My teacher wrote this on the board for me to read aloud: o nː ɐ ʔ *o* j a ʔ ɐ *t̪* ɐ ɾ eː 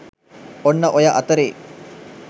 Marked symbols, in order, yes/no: yes, yes

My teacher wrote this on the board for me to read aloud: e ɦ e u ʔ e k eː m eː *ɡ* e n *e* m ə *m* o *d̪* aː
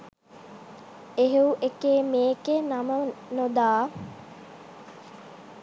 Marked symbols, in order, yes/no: no, no, no, yes

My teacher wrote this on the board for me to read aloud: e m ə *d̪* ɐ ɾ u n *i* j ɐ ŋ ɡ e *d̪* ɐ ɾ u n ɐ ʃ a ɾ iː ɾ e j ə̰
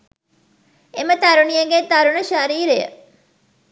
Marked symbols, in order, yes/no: no, yes, no

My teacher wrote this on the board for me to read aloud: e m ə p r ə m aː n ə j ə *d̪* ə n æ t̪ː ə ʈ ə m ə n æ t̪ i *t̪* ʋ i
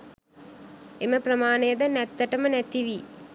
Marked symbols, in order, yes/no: yes, no

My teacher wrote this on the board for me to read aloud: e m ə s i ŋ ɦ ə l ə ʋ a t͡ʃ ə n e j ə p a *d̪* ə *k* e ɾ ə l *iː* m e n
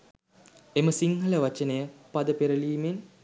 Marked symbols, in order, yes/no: yes, no, yes

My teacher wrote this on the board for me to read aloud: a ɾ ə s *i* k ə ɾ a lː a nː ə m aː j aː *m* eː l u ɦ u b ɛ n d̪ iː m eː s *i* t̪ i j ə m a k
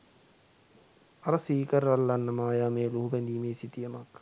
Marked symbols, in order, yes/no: no, yes, yes

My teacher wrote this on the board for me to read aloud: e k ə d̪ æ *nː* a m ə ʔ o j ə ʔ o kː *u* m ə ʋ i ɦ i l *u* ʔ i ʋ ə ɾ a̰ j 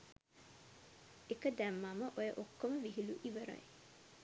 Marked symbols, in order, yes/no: no, no, yes

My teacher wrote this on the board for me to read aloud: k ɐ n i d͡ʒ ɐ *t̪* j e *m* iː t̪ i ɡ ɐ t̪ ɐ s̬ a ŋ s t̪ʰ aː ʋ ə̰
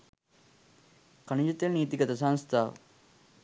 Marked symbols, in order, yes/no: yes, no

